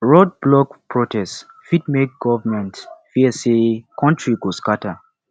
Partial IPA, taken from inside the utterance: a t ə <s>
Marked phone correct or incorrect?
incorrect